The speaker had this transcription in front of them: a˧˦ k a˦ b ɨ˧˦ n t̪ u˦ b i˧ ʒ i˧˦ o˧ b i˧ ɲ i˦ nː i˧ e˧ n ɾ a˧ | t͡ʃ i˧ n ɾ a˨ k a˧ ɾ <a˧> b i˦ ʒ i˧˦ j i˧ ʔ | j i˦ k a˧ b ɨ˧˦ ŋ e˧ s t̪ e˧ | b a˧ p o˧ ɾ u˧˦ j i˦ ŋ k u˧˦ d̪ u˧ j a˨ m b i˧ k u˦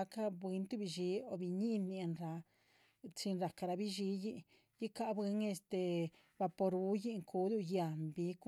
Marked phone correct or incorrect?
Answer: correct